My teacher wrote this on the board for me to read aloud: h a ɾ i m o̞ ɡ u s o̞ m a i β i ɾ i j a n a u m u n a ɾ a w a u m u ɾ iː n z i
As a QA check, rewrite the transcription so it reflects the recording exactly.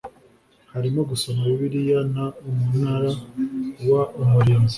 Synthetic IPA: h a ɾ i m o̞ ɡ u s o̞ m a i β i ɾ i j a n a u m u n a ɾ a w a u m u ɾ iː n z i